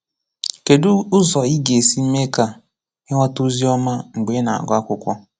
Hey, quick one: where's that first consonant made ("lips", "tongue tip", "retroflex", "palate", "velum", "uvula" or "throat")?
velum